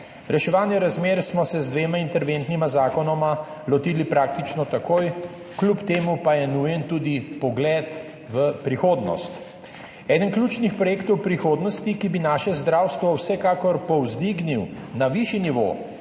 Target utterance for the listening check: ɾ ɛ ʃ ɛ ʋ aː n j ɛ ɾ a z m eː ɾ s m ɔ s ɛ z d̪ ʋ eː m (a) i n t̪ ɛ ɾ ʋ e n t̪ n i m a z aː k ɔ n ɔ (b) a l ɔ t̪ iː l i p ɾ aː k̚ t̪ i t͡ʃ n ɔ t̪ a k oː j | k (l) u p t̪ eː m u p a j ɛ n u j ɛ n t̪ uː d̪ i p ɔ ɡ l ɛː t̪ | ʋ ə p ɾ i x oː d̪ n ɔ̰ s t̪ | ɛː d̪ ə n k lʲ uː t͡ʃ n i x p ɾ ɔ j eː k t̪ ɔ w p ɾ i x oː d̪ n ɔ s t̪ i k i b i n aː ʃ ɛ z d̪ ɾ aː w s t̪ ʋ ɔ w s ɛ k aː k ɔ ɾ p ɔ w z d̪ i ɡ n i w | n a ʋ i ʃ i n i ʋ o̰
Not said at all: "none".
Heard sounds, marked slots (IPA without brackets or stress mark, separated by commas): a, m, l